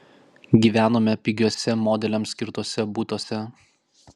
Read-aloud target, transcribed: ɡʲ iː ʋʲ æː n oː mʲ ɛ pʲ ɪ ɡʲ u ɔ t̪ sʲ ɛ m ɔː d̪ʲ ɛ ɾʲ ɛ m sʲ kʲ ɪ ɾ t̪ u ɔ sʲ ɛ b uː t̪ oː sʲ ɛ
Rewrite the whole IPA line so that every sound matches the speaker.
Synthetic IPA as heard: ɡʲ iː ʋʲ æː n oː mʲ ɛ pʲ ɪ ɡʲ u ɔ sʲ ɛ m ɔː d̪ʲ ɛ lʲ ɛ m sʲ kʲ ɪ ɾ t̪ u ɔ sʲ ɛ b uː t̪ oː sʲ ɛ